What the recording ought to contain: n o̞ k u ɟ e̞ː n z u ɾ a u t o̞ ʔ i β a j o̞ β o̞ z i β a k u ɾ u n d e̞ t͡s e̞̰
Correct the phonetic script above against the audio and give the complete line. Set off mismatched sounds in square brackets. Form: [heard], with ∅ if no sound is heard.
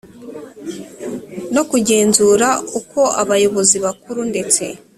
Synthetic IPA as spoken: n o̞ k u ɟ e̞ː n z u ɾ a u [k] o̞ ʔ [a] β a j o̞ β o̞ z i β a k u ɾ u n d e̞ t͡s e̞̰

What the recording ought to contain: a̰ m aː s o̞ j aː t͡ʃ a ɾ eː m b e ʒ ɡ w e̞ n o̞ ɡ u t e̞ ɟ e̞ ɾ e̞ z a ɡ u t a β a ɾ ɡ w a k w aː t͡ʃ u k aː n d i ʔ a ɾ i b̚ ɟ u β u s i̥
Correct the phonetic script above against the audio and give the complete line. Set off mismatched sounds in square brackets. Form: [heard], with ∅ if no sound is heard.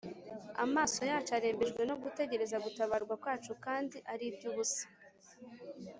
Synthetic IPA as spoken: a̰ m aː s o̞ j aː t͡ʃ a ɾ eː m b e ʒ ɡ w e̞ n o̞ ɡ u t e̞ ɟ e̞ ɾ e̞ z a ɡ u t a β a ɾ ɡ w a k w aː t͡ʃ u k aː n d i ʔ a ɾ i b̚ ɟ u β u s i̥

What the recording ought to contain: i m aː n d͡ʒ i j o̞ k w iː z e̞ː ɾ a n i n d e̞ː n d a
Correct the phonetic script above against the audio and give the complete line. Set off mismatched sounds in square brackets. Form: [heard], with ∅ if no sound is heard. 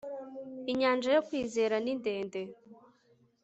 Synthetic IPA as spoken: i [ɲ] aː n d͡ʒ [a] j o̞ k w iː z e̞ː ɾ a n i n d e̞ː n d [e]

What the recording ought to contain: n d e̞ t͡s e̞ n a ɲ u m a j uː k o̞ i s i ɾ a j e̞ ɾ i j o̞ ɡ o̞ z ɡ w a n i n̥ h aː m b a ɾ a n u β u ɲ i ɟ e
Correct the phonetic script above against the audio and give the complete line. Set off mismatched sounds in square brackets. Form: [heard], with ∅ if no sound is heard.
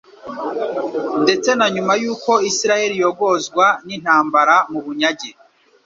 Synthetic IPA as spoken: n d e̞ t͡s e̞ n a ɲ u m a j uː k o̞ i s i ɾ a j e̞ ɾ i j o̞ ɡ o̞ z ɡ w a n i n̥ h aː m b a ɾ a [m] u β u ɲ [a] ɟ e

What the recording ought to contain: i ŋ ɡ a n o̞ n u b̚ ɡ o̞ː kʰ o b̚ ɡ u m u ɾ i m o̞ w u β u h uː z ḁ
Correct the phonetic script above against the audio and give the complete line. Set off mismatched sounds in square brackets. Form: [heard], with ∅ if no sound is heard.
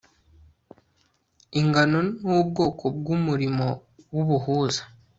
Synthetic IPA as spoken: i ŋ ɡ a n o̞ n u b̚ ɡ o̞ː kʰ o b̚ ɡ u m u ɾ i m o̞ w u β u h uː z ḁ

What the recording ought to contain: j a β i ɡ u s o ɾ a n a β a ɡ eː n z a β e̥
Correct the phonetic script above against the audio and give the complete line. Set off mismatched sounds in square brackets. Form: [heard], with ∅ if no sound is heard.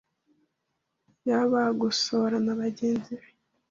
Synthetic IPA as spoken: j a β [a] ɡ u s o ɾ a n a β a [ɟ] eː n z [i] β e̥

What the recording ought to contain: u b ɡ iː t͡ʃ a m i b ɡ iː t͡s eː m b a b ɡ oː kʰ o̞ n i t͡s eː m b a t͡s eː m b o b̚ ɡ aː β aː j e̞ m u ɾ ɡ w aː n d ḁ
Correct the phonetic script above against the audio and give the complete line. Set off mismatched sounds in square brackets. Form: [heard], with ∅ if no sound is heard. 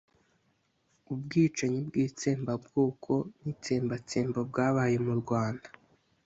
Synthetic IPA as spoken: u b ɡ iː t͡ʃ a [ɲ] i b ɡ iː t͡s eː m b a b ɡ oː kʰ o̞ n i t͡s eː m b a t͡s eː m b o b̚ ɡ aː β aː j e̞ m u ɾ ɡ w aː n d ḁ

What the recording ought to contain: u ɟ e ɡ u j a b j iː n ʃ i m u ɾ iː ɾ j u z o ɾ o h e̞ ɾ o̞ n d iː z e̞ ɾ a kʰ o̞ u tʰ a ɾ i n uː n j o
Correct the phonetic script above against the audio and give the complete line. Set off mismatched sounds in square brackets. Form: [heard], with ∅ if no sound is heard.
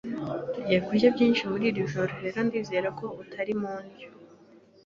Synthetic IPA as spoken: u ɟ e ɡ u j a b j iː n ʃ i m u ɾ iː ɾ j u [ʒ] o ɾ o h e̞ ɾ o̞ n d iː z e̞ ɾ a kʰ o̞ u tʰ a ɾ i [m] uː n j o

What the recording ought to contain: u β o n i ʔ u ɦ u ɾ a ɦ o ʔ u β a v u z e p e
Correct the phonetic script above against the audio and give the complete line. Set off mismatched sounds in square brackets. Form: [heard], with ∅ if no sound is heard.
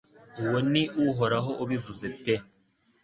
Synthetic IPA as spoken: u [w] o n i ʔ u ɦ [o] ɾ a ɦ o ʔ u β [i] v u z e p e

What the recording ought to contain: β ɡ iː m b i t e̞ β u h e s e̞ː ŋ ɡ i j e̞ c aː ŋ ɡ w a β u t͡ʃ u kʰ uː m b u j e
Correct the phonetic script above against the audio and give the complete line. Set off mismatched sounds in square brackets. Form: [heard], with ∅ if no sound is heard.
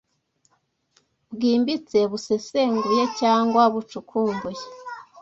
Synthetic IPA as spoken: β ɡ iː m b i [t͡s] e̞ β u [s] e s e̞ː ŋ ɡ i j e̞ c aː ŋ ɡ w a β u t͡ʃ u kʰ uː m b u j e

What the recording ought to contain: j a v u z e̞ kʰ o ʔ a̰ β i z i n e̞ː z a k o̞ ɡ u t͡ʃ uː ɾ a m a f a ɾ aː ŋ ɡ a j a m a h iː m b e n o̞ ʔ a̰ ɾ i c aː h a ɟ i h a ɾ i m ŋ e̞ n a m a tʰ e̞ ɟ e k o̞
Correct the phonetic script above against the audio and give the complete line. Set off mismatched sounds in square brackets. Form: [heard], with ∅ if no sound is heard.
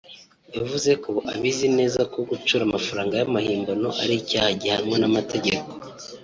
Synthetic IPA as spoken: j a v u z e̞ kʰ o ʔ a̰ β i z i n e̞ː z a k o̞ ɡ u t͡ʃ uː ɾ a m a f a ɾ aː ŋ ɡ a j a m a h iː m b [a] n o̞ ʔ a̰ ɾ i c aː h a ɟ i h a ɾ i m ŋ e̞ n a m a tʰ e̞ ɟ e k o̞

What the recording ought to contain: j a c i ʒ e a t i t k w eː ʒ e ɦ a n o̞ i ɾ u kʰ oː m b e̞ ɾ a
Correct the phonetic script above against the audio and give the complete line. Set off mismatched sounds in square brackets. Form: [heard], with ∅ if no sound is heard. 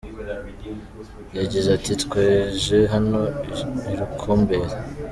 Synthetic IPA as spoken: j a [ɟ] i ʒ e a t i t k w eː ʒ e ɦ a n o̞ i ɾ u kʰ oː m b e̞ ɾ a

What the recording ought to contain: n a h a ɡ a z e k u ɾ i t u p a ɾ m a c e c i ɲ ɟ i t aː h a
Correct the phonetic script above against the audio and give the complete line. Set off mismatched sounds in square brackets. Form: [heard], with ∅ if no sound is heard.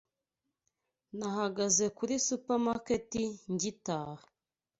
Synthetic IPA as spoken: n a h a ɡ a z e k u ɾ i [s] u p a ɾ m a [k] e [t] i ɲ ɟ i t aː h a

